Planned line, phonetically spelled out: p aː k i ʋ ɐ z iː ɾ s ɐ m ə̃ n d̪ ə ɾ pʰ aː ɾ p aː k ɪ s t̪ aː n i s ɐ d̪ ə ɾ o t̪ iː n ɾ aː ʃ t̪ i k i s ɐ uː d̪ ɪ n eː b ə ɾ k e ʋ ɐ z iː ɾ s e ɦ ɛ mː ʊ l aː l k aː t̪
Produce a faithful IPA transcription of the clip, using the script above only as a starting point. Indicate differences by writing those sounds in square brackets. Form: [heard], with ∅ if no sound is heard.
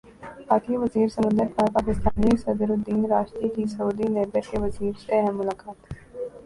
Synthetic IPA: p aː k i ʋ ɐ z iː ɾ s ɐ m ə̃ n d̪ ə ɾ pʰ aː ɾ p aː k ɪ s t̪ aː n i s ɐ d̪ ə ɾ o [d̪] iː n ɾ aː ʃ t̪ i k i s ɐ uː d̪ [i] n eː b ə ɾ k e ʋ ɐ z iː ɾ s e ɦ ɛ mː ʊ l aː [∅] k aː t̪